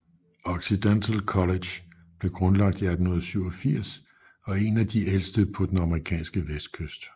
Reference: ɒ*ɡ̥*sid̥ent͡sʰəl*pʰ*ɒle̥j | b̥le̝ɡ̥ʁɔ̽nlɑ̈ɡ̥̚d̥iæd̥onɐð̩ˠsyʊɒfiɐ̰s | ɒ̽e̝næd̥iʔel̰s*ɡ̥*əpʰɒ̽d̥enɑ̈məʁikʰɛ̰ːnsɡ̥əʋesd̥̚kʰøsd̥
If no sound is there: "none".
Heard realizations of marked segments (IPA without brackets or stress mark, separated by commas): ɡ̥, kʰ, d̥